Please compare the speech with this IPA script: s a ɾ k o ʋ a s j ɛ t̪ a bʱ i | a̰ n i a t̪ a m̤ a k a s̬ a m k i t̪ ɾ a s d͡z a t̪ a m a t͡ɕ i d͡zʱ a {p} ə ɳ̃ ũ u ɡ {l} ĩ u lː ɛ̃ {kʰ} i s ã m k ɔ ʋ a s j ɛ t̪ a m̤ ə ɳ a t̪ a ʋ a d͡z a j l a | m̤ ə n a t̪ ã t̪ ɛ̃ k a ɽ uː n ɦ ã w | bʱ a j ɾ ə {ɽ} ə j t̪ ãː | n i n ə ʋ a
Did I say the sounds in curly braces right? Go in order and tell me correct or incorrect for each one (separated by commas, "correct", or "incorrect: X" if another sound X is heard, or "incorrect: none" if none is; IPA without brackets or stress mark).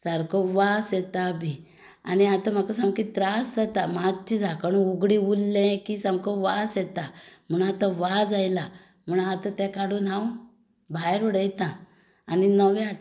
incorrect: k, incorrect: ɽ, incorrect: k, correct